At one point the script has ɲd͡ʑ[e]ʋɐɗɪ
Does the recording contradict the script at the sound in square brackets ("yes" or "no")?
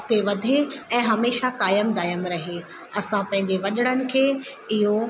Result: no